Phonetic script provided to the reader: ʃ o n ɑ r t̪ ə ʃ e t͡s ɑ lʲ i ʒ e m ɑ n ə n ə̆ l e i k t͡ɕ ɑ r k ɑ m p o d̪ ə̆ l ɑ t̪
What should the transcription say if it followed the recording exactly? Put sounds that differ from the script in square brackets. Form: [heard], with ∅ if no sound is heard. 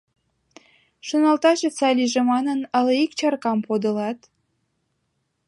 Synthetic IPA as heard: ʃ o n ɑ [l] t̪ [ɑ] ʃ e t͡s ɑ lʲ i ʒ e m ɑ n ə n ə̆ l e i k t͡ɕ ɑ r k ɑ m p o d̪ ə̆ l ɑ t̪